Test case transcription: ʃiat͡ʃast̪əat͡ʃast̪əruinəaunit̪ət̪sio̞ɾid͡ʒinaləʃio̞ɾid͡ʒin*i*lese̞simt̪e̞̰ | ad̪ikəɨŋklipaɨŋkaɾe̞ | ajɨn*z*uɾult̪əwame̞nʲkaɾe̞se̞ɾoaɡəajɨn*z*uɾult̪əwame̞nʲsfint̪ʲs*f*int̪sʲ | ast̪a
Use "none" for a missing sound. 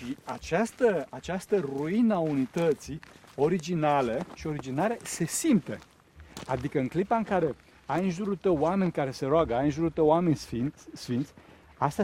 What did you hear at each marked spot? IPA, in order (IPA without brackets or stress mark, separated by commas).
a, ʒ, ʒ, f